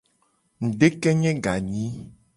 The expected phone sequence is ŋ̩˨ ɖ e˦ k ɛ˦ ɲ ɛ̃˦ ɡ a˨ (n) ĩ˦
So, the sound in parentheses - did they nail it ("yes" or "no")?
no